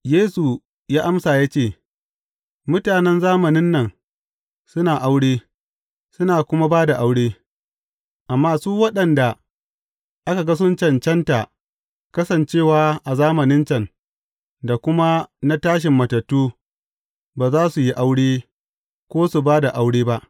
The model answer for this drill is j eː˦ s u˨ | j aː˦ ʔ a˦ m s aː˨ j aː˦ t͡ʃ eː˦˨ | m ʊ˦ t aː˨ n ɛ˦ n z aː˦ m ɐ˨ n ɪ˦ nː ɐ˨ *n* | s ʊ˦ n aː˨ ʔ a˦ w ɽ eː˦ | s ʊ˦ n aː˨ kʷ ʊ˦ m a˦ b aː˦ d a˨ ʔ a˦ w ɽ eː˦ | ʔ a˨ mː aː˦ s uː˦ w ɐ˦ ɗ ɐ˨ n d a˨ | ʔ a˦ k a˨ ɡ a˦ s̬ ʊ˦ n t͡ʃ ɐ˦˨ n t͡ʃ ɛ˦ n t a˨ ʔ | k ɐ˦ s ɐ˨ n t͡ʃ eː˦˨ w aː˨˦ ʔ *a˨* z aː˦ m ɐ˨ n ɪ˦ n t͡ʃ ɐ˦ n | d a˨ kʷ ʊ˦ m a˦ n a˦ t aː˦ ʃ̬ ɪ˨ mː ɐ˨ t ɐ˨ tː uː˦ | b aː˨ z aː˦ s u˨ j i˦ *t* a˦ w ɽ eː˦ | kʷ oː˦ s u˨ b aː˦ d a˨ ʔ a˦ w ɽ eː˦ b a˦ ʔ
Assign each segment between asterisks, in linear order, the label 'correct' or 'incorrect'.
incorrect: ŋ, correct, incorrect: ʔ

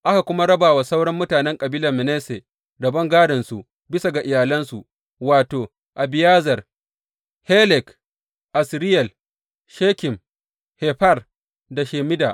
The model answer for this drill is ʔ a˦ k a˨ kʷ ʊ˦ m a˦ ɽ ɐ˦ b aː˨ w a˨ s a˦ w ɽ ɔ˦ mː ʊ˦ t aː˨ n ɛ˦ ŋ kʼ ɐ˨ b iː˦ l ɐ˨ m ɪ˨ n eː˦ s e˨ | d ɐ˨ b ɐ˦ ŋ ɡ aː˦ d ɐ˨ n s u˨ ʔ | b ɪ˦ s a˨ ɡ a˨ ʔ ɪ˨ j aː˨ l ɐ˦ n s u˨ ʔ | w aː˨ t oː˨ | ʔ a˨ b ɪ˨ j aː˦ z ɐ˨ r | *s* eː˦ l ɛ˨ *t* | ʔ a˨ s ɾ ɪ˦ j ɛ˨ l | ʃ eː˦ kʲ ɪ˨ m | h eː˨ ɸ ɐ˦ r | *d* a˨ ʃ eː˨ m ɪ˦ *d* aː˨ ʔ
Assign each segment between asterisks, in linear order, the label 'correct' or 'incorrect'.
incorrect: h, incorrect: k, correct, correct

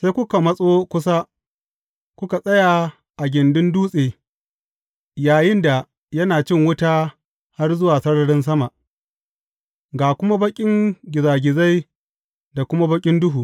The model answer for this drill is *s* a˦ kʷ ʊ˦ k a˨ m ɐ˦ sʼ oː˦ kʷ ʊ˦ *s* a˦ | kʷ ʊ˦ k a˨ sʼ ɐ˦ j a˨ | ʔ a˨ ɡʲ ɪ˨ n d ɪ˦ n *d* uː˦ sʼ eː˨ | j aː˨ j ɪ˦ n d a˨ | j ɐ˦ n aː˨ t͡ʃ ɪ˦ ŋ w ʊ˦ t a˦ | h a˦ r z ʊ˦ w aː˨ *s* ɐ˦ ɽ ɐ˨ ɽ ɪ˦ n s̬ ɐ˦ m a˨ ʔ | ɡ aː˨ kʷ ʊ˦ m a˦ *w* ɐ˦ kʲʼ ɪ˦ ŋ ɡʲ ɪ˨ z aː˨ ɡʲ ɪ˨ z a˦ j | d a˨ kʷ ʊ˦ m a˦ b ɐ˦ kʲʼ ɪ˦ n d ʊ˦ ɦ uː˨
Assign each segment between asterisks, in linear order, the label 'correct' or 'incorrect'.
correct, correct, correct, correct, incorrect: b

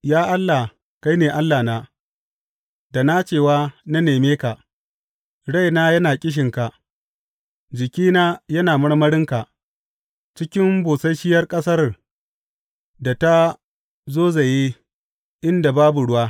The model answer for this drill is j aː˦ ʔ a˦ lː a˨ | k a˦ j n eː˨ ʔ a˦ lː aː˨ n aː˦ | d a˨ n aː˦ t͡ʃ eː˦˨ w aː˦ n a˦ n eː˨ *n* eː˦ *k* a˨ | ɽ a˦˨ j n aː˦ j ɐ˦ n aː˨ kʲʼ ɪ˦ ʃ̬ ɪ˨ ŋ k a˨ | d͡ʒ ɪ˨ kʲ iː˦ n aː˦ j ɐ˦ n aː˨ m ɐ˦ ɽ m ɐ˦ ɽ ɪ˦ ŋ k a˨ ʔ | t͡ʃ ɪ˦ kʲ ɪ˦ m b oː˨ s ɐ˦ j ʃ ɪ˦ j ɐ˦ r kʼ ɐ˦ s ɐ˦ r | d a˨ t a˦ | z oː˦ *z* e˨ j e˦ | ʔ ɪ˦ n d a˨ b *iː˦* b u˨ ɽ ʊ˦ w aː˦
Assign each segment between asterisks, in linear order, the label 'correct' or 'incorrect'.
incorrect: m, correct, correct, incorrect: aː˦

